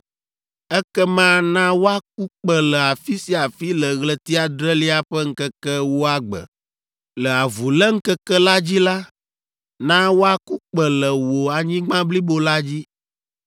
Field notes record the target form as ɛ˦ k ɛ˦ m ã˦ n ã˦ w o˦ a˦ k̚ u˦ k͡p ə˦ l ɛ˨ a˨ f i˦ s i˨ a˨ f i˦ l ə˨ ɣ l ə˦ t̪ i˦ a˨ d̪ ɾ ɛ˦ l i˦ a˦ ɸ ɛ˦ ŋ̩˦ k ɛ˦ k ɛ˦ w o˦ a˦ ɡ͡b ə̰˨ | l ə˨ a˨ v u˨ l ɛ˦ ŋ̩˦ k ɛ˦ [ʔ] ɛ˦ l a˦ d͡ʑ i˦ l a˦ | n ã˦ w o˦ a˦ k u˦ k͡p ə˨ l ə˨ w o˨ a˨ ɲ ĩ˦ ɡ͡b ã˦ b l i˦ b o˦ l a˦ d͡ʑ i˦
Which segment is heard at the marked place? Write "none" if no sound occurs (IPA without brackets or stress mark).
k